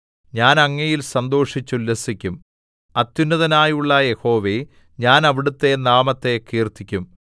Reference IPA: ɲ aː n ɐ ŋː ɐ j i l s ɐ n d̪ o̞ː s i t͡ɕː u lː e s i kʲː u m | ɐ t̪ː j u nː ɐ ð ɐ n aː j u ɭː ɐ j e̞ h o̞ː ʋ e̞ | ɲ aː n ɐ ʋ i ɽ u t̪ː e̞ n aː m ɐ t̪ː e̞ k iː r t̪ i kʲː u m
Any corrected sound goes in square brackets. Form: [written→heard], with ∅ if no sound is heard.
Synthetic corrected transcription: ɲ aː n ɐ ŋː ɐ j i l s ɐ n d̪ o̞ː [s→ʂ] i t͡ɕː u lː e s i kʲː u m | ɐ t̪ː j u nː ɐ ð ɐ n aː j u ɭː ɐ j e̞ h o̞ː ʋ e̞ | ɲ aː n ɐ ʋ i ɽ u t̪ː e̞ n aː m ɐ t̪ː e̞ k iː r t̪ i kʲː u m